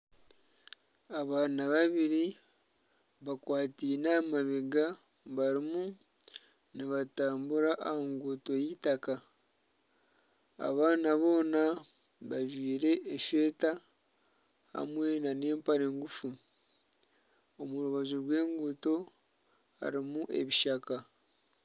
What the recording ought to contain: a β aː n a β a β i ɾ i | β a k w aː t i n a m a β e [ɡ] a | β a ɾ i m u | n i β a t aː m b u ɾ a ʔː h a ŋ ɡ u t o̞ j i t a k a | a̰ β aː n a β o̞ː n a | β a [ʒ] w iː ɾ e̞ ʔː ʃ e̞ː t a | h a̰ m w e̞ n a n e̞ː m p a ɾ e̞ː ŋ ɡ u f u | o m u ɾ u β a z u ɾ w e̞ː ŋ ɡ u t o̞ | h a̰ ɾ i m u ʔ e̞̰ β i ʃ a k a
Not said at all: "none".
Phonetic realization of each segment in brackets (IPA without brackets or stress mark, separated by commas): ɡ, ʒ